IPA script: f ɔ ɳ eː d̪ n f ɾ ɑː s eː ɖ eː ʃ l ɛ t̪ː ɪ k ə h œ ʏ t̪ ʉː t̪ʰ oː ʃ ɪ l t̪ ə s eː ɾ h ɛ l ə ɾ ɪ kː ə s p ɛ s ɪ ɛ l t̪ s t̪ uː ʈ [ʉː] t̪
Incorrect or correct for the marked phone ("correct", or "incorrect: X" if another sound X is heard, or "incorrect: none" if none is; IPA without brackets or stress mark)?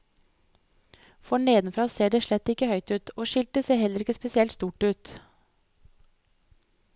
correct